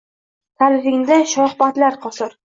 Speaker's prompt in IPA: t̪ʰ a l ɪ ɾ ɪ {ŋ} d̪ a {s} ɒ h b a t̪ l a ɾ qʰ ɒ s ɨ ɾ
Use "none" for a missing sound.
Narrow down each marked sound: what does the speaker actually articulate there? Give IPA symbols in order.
ŋ, ʃ

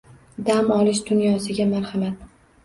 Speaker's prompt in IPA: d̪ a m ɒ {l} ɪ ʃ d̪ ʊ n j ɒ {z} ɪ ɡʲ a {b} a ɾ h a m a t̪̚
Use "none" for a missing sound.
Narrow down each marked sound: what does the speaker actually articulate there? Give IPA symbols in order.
l, s, m

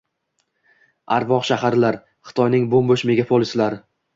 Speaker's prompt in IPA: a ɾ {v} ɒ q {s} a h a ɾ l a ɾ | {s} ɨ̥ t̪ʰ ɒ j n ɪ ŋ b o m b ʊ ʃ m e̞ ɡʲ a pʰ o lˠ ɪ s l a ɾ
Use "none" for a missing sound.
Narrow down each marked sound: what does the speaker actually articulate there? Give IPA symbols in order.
v, ʃ, χ

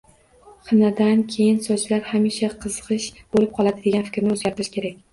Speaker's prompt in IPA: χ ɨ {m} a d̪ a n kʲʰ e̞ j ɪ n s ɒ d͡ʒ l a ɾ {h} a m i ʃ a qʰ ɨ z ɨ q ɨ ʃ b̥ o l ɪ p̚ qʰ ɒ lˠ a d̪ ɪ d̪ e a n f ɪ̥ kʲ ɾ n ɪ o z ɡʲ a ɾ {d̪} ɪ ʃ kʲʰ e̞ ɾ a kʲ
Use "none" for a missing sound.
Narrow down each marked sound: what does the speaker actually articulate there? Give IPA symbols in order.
n, h, t̪

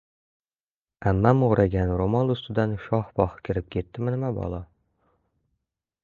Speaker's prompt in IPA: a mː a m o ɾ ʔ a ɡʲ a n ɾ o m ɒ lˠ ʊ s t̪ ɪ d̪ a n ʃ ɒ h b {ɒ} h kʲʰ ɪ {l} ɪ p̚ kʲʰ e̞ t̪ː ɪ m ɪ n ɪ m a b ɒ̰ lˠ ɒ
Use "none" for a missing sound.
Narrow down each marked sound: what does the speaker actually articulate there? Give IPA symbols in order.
ɒ, ɾ

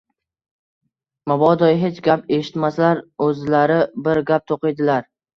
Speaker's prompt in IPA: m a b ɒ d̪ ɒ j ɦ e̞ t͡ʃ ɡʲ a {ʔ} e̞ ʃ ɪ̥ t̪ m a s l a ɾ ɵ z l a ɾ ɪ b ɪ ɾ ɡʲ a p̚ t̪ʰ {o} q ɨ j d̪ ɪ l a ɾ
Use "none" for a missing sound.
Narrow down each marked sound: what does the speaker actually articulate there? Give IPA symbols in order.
p, o

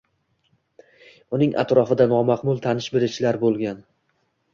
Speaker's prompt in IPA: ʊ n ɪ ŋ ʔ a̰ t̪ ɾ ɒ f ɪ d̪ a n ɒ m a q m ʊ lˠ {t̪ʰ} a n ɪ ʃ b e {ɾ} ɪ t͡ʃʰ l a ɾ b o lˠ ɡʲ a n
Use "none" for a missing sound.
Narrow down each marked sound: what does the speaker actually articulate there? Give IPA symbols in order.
t̪ʰ, ɾ

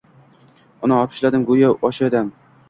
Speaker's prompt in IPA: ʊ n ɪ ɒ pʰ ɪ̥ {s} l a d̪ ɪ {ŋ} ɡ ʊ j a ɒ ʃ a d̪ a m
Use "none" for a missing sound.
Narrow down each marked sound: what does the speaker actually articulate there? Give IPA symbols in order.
ʃ, m

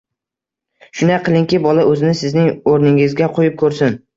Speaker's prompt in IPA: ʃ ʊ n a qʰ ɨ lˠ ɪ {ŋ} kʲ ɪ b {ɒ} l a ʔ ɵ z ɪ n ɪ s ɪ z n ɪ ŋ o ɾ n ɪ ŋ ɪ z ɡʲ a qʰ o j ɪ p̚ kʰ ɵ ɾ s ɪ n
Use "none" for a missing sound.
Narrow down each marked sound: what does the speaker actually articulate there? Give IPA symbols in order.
ŋ, ɒ

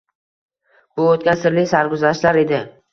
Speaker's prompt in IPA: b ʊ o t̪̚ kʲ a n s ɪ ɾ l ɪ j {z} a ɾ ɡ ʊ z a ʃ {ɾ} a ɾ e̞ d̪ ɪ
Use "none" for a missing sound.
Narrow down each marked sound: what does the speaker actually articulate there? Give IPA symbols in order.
s, l

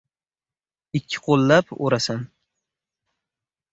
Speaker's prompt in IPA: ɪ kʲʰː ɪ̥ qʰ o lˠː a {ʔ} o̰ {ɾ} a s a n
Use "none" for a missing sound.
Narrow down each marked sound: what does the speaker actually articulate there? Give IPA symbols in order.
p, ɾ

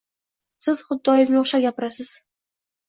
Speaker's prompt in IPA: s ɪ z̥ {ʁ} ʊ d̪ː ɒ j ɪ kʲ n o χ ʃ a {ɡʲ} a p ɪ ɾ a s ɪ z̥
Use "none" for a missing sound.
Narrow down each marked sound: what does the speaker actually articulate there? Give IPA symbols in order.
χ, ɡʲ

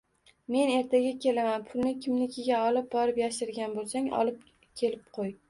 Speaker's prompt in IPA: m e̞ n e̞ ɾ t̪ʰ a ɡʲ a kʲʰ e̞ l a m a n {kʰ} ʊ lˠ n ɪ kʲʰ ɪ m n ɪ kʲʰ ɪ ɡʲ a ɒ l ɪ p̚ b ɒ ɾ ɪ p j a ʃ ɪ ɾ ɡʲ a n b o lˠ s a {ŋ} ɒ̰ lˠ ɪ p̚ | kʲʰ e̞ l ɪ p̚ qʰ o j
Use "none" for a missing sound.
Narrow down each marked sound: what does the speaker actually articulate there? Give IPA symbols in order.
pʰ, ŋ

